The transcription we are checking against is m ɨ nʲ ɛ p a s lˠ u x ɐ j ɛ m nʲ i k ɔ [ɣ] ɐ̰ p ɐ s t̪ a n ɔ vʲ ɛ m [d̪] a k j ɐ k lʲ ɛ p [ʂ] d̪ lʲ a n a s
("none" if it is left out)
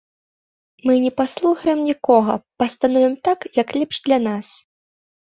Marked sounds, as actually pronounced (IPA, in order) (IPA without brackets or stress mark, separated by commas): ɣ, t̪, ʂ